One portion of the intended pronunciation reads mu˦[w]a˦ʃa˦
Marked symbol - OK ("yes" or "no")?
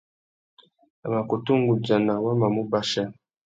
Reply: no